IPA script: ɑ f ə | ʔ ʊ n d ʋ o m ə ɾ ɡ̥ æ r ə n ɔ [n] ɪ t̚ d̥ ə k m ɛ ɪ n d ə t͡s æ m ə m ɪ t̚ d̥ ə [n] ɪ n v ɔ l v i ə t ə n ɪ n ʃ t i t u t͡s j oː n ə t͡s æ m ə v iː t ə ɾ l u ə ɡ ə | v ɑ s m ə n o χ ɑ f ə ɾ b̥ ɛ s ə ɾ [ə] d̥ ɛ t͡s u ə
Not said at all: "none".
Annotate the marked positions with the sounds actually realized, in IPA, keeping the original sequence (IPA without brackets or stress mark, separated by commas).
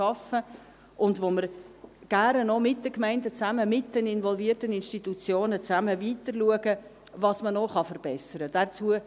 m, n, ə